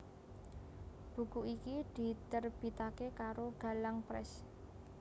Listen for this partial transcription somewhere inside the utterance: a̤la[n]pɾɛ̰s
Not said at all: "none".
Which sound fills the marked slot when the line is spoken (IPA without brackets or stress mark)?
ŋ